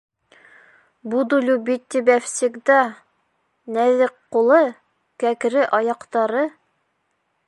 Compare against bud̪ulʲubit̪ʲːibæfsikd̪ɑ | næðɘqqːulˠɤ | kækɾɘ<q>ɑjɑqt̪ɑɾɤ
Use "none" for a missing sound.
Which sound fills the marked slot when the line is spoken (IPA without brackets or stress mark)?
ʔ